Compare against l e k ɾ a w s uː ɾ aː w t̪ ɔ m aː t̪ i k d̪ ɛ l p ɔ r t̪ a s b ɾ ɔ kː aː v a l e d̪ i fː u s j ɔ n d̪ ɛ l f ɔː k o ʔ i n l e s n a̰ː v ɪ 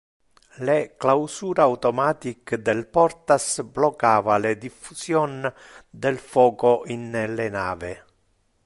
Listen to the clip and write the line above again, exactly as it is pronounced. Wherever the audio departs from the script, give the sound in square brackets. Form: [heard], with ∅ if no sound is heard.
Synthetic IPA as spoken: l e k [l] a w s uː ɾ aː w t̪ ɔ m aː t̪ i k d̪ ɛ l p ɔ r t̪ a s b [l] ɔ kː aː v a l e d̪ i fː u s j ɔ n d̪ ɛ l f ɔː k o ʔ i n l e [∅] n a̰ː v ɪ